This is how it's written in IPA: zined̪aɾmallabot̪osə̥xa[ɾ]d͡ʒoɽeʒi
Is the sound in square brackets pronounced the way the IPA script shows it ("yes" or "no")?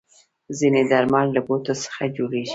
no